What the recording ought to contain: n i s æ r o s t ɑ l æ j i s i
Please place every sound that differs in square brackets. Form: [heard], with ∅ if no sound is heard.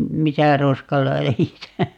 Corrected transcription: [m] i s æ r o s [k] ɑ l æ j i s [æ]